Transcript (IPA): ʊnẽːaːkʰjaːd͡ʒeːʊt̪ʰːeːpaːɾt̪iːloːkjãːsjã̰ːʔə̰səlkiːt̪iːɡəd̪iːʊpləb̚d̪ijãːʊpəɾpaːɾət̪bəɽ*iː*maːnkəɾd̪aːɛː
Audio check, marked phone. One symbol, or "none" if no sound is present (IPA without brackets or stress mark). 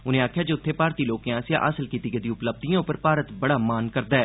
aː